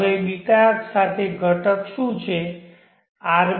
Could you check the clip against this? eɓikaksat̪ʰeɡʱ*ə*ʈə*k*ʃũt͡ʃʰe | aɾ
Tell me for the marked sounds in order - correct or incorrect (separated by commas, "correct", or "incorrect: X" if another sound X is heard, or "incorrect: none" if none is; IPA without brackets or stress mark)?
correct, correct